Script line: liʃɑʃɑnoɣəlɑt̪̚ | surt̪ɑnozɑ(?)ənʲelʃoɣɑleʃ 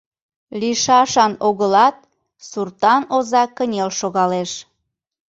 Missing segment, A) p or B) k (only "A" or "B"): B